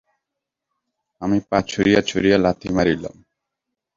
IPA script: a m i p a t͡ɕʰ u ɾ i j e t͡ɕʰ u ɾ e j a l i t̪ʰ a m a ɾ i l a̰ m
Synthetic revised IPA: a m i p a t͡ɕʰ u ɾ i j a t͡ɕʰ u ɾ i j a l a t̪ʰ i m a ɾ i l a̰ m